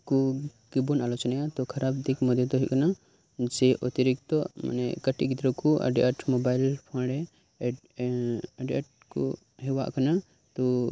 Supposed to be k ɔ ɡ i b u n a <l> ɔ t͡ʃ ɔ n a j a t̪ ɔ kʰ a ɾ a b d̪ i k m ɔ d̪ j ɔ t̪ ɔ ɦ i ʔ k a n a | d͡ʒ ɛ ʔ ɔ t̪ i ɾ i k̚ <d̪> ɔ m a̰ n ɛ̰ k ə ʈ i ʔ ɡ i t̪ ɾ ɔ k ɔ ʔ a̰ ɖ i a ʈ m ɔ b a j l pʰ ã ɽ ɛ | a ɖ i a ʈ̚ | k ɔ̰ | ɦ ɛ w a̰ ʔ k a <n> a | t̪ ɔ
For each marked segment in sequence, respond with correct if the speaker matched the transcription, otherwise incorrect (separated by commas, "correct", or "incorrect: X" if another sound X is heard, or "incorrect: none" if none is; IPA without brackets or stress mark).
correct, incorrect: t̪, correct